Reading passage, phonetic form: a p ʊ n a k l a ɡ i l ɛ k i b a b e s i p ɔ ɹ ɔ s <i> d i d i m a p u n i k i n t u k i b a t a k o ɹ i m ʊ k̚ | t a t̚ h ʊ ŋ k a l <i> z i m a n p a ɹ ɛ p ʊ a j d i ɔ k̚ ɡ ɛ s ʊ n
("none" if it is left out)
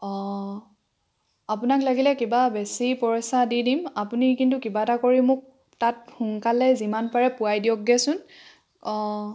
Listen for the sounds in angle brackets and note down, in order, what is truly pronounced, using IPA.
a, ɛ

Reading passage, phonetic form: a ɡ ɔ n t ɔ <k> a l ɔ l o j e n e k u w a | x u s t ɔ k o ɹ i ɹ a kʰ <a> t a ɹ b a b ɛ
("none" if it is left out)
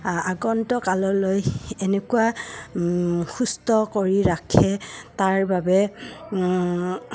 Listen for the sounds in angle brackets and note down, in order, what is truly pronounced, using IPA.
k, ɛ

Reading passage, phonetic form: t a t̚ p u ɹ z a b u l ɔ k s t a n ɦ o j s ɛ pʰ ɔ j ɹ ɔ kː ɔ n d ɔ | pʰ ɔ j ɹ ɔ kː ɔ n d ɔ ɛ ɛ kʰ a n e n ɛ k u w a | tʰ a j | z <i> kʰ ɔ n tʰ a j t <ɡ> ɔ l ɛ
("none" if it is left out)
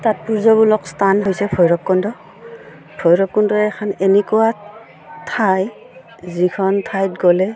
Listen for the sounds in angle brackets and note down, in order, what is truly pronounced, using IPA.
i, ɡ

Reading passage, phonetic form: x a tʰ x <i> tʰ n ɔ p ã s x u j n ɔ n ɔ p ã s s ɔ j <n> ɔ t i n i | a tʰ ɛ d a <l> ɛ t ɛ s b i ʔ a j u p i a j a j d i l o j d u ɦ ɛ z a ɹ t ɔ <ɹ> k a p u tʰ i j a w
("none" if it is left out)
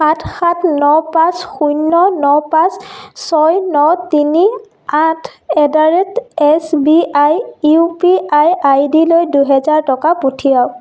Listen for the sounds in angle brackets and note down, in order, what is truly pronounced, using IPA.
a, n, ɹ, none

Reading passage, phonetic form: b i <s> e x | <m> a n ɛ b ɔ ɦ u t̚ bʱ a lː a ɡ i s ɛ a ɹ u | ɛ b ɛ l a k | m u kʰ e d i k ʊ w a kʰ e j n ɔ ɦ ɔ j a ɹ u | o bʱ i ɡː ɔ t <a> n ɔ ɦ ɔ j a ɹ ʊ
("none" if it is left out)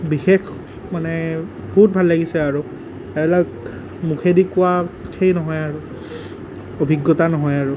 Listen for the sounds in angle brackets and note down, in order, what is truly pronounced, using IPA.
x, m, a

